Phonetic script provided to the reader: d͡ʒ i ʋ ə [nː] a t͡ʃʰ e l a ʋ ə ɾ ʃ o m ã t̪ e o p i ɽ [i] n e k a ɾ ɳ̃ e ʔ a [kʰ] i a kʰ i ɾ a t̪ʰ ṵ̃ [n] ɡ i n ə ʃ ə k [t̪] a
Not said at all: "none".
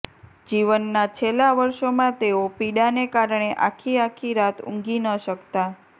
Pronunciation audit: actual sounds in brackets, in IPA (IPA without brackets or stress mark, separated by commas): nː, a, kʰ, ŋ, t̪